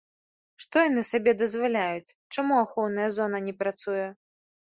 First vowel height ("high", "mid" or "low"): mid